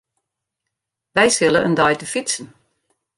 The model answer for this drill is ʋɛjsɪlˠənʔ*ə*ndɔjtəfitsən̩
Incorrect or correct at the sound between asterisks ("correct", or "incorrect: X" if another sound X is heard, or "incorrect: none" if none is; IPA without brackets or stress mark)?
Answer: correct